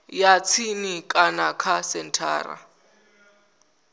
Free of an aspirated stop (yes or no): no